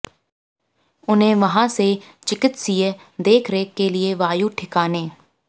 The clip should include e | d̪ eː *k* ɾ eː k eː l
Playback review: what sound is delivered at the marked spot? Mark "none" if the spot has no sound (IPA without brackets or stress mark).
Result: kʰ